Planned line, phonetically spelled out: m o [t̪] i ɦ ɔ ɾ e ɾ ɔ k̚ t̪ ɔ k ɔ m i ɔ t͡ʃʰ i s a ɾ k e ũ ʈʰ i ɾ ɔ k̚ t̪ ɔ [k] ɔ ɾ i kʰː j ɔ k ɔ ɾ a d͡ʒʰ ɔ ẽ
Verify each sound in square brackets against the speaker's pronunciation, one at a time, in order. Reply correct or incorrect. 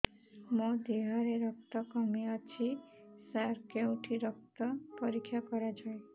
incorrect: d̪, incorrect: p

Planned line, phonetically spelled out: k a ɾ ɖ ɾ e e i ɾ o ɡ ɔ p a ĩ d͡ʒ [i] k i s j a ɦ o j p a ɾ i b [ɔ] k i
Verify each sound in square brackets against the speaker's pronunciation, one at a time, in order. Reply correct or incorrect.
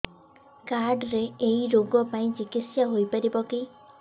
correct, correct

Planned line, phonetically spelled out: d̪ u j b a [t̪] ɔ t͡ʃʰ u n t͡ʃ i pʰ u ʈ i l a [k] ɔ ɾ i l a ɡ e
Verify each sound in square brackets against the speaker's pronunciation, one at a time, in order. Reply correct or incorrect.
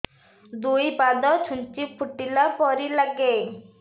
incorrect: d̪, incorrect: p

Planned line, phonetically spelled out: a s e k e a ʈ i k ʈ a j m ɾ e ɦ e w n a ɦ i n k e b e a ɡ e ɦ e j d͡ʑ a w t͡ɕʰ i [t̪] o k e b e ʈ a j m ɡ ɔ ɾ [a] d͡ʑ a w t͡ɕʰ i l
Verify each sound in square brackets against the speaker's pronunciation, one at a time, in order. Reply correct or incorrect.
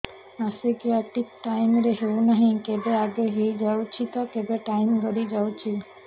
correct, incorrect: i

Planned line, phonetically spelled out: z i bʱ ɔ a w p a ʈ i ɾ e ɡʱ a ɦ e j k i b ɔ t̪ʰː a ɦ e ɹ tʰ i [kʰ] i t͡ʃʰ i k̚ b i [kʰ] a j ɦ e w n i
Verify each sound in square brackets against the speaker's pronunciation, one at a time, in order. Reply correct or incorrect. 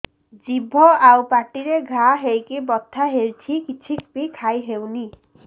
incorrect: k, correct

